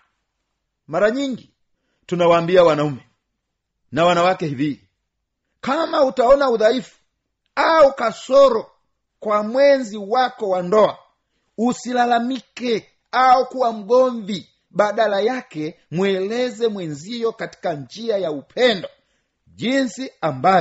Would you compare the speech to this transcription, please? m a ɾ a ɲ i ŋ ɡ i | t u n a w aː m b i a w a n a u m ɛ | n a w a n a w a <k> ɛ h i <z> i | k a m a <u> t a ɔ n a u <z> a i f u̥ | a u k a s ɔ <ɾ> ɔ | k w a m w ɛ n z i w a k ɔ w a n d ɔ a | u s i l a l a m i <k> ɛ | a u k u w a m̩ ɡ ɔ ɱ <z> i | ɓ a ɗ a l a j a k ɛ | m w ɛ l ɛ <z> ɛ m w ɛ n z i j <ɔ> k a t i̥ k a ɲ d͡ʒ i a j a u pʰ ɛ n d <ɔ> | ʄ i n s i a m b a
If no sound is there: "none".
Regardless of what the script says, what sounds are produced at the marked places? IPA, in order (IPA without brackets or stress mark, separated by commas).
k, v, u, ð, ɾ, k, v, z, ɔ, ɔ